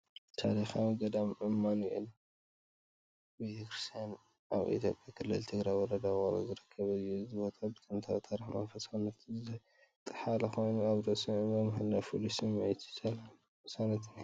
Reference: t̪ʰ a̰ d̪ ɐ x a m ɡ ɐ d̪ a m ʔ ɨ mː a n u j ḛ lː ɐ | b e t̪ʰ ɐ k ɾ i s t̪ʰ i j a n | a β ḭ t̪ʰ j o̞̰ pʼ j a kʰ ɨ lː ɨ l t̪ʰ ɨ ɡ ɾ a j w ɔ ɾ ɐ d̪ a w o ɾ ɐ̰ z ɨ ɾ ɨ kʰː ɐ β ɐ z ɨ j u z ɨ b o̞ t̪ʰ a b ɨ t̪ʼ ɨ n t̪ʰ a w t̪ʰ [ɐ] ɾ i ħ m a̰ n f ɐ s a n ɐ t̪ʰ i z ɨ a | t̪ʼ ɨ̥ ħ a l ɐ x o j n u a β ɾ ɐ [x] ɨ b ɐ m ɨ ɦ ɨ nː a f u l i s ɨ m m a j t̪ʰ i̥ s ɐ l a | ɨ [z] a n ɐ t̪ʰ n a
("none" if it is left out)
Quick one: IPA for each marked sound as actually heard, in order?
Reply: a, s, s

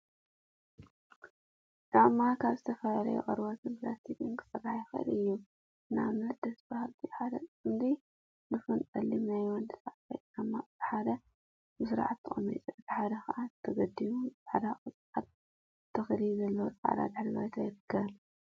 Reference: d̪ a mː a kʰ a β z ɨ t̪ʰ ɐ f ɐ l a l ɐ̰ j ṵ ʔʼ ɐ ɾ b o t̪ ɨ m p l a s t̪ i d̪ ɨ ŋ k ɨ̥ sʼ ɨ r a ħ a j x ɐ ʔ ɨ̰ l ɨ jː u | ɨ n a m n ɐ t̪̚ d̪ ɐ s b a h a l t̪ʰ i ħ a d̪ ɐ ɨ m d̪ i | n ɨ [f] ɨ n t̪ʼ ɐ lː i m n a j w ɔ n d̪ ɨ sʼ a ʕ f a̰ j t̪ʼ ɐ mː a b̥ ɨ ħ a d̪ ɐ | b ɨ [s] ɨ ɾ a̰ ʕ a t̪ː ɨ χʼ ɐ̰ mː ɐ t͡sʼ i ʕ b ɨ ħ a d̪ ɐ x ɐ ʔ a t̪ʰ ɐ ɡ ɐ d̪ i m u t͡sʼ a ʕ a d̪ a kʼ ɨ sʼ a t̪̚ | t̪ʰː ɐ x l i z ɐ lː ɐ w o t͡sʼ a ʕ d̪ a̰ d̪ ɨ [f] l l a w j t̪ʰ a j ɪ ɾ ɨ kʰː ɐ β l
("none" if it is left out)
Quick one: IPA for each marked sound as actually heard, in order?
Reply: f, s, ħ

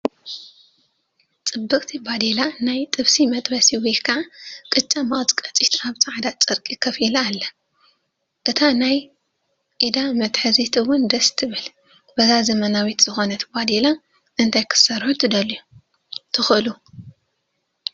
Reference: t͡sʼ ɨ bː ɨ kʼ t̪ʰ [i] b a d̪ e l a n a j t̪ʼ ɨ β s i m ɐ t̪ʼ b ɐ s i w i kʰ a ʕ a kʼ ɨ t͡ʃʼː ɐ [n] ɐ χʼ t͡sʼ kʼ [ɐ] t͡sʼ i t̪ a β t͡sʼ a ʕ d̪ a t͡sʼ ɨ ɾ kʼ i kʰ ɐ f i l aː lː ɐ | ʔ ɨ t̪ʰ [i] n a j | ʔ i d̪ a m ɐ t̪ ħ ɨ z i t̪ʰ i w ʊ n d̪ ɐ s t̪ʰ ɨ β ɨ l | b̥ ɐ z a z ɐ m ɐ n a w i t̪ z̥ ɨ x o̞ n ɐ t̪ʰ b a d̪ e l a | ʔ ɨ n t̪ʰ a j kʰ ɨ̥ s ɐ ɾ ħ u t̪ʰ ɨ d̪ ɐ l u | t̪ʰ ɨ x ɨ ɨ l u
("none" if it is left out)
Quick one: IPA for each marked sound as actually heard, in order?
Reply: i, m, ɐ, a

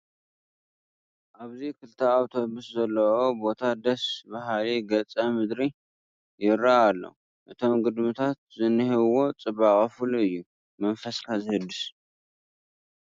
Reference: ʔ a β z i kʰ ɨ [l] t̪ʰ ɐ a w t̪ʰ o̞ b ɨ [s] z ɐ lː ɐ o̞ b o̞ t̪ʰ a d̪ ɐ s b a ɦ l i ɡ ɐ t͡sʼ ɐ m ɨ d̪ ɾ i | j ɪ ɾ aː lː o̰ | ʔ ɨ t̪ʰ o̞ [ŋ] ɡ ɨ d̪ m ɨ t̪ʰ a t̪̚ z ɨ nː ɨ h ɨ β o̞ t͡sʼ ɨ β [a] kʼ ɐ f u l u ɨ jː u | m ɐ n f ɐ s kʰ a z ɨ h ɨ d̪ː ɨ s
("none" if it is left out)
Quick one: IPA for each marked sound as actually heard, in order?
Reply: l, s, m, a

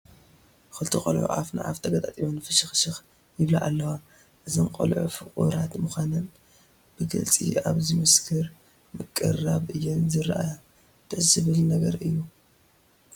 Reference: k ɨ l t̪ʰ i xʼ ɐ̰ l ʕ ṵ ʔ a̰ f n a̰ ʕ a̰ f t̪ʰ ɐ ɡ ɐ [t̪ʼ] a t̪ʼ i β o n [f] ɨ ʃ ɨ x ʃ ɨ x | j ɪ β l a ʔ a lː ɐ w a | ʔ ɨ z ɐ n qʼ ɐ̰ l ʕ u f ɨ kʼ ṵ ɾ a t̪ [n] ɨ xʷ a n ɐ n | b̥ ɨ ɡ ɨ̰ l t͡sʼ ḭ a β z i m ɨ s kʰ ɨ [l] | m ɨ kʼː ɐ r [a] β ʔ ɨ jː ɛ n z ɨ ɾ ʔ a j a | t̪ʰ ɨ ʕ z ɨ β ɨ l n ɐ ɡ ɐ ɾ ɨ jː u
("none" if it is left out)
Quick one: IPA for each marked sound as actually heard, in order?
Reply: t̪ʼ, f, m, ɾ, a

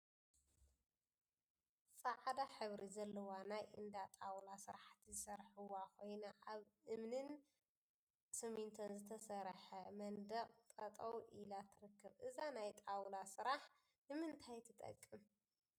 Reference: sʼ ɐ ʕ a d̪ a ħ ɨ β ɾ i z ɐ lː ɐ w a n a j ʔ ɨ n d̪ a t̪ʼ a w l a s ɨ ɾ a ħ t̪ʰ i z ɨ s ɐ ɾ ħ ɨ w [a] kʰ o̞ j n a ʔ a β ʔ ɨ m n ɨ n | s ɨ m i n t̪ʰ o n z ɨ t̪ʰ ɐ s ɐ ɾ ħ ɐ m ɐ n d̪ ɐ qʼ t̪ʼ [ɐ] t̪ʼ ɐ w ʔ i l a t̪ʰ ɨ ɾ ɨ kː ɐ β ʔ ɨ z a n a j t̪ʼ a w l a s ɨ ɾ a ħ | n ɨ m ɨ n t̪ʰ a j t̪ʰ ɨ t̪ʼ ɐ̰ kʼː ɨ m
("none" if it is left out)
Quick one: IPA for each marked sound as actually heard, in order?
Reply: a, ɐ

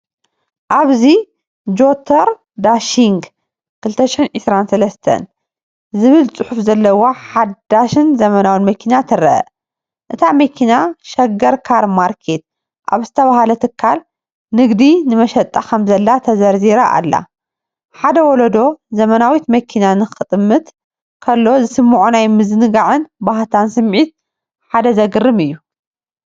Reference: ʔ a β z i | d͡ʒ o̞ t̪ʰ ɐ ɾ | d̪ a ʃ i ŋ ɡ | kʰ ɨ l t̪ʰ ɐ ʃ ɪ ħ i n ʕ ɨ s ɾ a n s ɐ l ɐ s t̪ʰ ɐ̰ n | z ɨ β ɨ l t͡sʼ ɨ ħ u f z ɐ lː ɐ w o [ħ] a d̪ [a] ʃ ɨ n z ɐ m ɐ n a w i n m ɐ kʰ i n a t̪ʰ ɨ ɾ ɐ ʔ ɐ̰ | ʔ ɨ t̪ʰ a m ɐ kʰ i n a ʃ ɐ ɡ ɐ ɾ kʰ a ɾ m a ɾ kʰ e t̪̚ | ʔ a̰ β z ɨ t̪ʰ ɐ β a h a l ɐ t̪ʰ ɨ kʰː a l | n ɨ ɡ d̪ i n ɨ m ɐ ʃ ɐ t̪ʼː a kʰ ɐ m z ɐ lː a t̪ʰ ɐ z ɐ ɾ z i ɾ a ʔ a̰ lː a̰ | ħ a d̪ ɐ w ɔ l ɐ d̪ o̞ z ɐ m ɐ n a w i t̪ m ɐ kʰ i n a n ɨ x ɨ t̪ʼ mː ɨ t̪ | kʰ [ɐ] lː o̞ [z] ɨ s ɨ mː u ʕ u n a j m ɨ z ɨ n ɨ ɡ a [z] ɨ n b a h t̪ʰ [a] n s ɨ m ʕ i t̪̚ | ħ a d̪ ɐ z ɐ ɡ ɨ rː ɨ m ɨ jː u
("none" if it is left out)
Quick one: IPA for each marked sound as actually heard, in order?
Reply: ħ, a, ɐ, z, ʕ, a

